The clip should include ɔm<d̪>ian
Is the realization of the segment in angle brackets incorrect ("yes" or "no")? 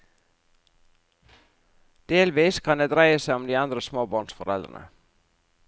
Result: no